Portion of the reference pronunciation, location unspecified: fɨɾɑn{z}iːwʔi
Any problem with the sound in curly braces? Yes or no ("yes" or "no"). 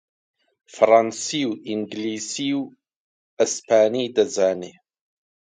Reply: yes